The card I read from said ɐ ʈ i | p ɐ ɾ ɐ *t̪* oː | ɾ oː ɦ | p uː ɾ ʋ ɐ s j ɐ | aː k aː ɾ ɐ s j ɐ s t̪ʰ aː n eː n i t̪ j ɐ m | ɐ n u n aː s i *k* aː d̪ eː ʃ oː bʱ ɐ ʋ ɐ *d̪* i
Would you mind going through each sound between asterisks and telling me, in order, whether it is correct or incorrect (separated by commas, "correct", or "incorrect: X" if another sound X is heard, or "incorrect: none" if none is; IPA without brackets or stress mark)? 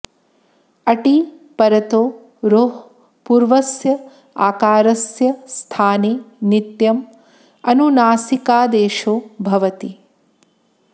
correct, correct, incorrect: t̪